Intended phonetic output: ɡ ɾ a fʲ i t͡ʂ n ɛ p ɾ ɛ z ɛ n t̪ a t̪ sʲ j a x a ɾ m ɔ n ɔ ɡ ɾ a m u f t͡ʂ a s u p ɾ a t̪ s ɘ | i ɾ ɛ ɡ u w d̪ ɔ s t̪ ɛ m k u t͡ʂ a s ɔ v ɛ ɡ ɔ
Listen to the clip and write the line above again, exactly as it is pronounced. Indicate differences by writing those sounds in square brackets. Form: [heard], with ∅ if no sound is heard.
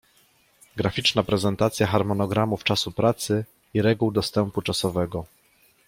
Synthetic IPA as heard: ɡ ɾ a fʲ i t͡ʂ n [a] p ɾ ɛ z ɛ n t̪ a t̪ sʲ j a x a ɾ m ɔ n ɔ ɡ ɾ a m u f t͡ʂ a s u p ɾ a t̪ s ɘ | i ɾ ɛ ɡ u w d̪ ɔ s t̪ ɛ m [p] u t͡ʂ a s ɔ v ɛ ɡ ɔ